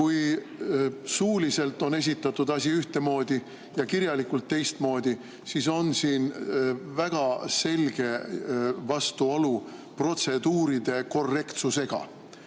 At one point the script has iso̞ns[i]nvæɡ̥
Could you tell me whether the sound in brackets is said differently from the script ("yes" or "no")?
yes